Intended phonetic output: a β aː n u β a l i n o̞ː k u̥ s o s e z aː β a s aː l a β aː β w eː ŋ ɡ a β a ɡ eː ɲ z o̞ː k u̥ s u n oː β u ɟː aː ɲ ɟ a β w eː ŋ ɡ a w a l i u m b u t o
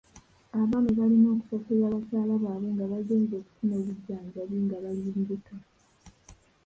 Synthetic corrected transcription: a β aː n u β a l i n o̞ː k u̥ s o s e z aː β a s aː l a β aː β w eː ŋ ɡ a β a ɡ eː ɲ z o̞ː k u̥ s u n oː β u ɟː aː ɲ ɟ a β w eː ŋ ɡ a β a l i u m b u t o